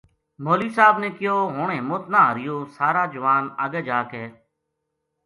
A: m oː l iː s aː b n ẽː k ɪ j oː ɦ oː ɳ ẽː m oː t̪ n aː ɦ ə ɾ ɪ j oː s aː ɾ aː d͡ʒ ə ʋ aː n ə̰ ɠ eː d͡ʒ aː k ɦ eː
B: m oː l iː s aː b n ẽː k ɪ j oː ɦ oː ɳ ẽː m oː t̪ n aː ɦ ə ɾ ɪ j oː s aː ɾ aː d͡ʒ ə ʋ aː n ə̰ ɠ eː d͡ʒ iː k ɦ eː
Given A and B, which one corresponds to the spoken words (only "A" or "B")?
A